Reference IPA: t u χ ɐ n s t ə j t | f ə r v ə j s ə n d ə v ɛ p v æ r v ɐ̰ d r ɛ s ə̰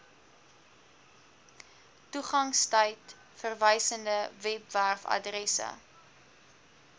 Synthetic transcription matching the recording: t u χ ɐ ŋ s t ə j t | f ə r v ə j s ə n d ə v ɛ p v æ r f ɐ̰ d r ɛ s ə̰